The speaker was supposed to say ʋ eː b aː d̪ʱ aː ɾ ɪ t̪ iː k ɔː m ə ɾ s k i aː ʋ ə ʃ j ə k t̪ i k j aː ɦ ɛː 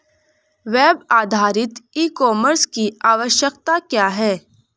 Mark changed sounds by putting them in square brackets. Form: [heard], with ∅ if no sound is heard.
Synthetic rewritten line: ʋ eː b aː d̪ʱ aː ɾ ɪ t̪ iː k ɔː m ə ɾ s k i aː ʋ ə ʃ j ə k t̪ [a] k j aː ɦ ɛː